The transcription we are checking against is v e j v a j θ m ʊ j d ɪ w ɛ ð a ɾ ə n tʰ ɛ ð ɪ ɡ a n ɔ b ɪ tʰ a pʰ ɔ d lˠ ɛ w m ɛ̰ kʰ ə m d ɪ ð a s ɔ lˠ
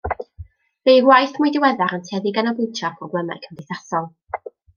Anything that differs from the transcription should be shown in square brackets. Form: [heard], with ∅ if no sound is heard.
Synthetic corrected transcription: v e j [w] a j θ m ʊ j d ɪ w ɛ ð a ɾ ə n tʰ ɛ ð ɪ ɡ a n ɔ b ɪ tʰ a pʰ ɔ [ɡ] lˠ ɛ [∅] m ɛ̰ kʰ ə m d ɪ [θ] a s ɔ lˠ